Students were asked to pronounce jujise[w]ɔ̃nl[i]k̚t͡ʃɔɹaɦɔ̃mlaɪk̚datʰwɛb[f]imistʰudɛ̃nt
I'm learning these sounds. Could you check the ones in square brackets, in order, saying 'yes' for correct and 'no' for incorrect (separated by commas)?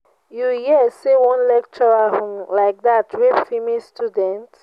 yes, no, yes